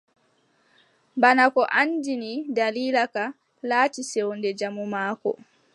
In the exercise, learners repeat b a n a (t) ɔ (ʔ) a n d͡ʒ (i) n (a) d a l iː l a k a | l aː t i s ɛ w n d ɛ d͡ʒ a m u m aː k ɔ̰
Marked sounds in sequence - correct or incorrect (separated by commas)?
incorrect, correct, correct, incorrect